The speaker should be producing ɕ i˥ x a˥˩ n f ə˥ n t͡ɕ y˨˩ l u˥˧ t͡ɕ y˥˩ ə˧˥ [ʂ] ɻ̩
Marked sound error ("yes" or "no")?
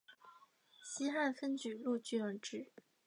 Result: yes